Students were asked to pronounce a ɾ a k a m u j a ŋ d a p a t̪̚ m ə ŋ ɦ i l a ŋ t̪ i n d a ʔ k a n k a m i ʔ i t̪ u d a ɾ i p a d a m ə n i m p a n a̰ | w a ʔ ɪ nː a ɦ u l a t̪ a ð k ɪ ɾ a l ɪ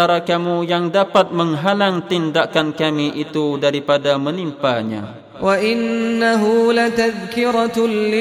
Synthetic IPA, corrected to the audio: a ɾ a k a m u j a ŋ d a p a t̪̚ m ə ŋ ɦ a l a ŋ t̪ i n d a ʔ k a n k a m i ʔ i t̪ u d a ɾ i p a d a m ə n i m p a ɲ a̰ | w a ʔ ɪ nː a ɦ u l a t̪ a ð k ɪ ɾ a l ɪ